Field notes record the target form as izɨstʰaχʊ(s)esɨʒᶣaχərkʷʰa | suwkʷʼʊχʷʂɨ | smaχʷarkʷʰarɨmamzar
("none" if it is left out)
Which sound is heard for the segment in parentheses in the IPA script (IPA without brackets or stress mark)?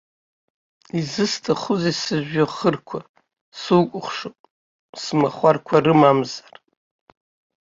z